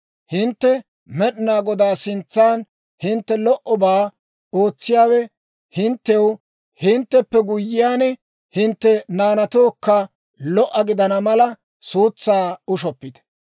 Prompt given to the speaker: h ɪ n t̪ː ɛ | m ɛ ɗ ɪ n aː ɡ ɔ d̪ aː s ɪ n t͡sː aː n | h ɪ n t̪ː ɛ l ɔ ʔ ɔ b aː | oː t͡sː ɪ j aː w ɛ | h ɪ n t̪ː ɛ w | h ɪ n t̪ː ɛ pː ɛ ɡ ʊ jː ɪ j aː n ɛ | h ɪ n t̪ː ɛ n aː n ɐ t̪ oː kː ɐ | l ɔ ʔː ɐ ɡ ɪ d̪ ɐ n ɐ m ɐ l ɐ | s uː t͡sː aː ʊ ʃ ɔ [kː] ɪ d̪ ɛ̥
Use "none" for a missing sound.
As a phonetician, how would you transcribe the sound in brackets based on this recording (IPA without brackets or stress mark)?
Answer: pː